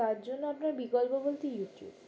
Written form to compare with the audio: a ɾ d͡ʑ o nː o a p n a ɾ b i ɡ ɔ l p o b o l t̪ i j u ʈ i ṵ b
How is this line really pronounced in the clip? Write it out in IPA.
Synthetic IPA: a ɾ d͡ʑ o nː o a p n a ɾ b i ɡ ɔ l p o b o l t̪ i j u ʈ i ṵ b